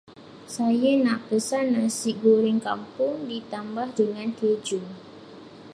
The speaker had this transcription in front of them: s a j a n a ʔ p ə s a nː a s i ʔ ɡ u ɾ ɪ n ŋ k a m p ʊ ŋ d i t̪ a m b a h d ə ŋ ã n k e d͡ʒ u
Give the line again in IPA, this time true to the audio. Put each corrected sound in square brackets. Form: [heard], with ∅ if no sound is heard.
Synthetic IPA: s a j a n a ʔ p ə s a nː a s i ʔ ɡ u ɾ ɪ [∅] ŋ k a m p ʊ ŋ d i t̪ a m b a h d ə ŋ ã n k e d͡ʒ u